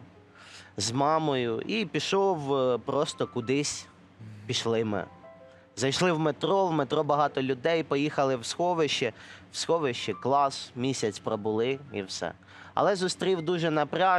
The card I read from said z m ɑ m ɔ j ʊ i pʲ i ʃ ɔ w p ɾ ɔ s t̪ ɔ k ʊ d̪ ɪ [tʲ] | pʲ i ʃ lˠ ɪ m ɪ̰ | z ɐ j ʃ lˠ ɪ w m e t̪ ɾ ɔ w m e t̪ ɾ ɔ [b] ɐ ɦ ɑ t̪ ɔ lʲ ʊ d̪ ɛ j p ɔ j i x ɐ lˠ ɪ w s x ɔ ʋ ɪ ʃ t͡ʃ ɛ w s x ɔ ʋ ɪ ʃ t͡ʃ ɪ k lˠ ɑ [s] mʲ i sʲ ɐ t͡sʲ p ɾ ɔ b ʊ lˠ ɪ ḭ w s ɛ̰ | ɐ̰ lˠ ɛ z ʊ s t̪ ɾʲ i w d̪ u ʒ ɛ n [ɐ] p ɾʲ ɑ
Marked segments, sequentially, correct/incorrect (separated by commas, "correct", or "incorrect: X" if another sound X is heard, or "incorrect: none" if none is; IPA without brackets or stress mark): incorrect: sʲ, correct, correct, correct